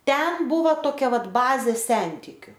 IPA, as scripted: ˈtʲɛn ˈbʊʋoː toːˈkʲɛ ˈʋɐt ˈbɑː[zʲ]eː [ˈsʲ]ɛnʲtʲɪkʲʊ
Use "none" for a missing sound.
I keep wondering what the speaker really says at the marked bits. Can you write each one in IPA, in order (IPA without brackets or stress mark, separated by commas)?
zʲ, sʲ